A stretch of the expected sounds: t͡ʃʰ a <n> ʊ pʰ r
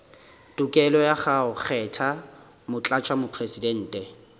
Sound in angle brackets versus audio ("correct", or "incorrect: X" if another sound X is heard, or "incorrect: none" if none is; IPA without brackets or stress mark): incorrect: m